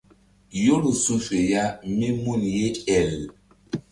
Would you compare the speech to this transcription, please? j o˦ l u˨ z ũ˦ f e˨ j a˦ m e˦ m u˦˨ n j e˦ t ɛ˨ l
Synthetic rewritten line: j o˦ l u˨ s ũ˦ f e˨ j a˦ m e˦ m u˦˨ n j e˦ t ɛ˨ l